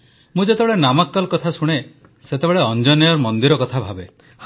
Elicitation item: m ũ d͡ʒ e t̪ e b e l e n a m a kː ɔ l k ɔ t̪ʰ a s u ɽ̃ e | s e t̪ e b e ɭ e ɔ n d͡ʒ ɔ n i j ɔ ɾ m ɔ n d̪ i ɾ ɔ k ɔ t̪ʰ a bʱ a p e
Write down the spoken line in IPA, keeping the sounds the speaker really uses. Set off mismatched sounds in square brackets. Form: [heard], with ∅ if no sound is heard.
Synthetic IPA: m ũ d͡ʒ e t̪ e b e [ɭ] e n a m a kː ɔ l k ɔ t̪ʰ a s u ɽ̃ e | s e t̪ e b e ɭ e ɔ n d͡ʒ ɔ n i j ɔ ɾ m ɔ n d̪ i ɾ ɔ k ɔ t̪ʰ a bʱ a [b] e